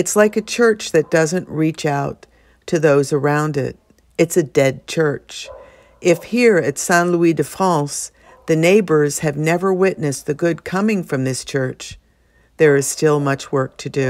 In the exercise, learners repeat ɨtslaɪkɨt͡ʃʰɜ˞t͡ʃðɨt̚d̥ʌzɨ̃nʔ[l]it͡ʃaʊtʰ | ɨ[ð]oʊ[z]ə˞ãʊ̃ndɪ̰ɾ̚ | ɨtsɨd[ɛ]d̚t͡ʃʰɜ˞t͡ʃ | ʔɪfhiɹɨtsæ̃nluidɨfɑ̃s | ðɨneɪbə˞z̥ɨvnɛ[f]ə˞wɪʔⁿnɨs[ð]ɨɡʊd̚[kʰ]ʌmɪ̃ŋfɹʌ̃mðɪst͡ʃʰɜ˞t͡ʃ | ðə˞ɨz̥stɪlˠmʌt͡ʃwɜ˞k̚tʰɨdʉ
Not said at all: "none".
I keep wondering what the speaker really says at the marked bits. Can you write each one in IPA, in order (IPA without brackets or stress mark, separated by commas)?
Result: ɹ, ð, z, ɛ, v, ð, kʰ